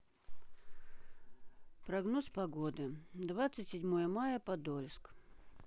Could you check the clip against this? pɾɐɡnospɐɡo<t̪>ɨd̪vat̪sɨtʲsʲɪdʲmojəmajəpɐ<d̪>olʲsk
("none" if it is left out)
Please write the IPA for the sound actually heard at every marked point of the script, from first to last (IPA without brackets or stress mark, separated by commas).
d̪, d̪